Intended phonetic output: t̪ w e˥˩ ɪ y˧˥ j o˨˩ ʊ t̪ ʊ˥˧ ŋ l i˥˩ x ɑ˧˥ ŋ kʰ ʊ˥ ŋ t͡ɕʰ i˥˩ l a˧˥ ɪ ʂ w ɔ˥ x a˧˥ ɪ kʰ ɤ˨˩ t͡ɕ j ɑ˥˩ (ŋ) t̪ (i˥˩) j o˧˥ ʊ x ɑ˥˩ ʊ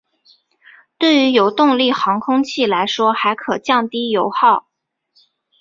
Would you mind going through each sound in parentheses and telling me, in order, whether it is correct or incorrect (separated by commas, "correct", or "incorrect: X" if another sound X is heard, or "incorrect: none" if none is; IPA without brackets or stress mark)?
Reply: correct, incorrect: i˥